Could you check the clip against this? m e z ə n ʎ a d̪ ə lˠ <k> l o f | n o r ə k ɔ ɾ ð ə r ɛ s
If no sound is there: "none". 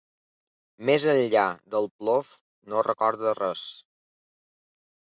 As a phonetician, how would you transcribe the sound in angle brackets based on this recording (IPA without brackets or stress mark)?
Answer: p